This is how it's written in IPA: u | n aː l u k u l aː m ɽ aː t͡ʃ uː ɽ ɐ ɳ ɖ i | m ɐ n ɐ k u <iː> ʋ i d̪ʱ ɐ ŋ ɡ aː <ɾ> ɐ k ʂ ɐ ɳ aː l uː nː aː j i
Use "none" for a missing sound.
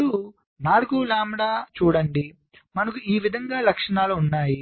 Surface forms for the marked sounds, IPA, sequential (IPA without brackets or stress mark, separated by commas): iː, l